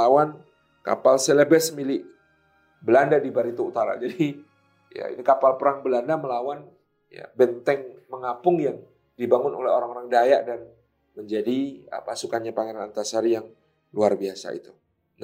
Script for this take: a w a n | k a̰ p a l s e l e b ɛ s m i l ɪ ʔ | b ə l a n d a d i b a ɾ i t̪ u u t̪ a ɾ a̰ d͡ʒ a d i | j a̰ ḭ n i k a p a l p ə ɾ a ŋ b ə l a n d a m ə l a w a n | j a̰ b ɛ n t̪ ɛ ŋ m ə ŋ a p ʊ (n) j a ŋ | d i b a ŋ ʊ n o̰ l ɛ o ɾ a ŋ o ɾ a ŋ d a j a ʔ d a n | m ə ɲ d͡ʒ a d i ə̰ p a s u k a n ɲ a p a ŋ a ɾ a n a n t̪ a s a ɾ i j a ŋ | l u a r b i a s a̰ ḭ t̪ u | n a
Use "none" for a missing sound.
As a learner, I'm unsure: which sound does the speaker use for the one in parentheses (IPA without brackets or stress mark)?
ŋ